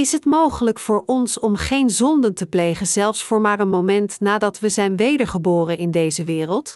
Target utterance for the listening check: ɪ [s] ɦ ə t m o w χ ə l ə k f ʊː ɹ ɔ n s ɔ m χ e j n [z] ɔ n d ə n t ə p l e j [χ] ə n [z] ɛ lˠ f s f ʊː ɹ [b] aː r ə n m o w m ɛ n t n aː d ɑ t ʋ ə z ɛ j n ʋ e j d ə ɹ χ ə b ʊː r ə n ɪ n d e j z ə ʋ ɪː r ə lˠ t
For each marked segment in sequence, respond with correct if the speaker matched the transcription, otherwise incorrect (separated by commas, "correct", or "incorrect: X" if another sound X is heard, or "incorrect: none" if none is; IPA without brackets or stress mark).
correct, correct, correct, correct, incorrect: m